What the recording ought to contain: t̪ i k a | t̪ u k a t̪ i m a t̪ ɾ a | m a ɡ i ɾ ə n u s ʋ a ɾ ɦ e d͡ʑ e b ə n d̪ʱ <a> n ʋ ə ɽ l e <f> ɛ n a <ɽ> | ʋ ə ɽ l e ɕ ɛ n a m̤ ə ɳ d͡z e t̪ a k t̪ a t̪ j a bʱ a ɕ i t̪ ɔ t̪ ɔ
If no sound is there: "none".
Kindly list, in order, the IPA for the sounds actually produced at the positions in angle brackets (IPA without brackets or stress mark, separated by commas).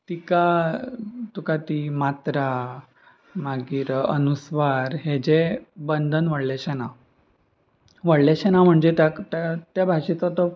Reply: ə, ɕ, none